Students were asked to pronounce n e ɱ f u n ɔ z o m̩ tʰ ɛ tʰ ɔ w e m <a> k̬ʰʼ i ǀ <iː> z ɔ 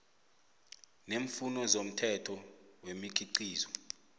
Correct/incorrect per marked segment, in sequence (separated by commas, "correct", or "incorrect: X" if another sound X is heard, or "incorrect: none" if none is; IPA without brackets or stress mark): incorrect: i, correct